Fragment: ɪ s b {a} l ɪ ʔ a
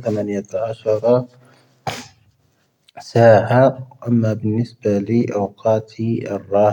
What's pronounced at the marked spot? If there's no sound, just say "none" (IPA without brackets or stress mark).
a